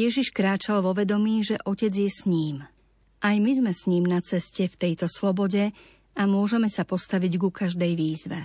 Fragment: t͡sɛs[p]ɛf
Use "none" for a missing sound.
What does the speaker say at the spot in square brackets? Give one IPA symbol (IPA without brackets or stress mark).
c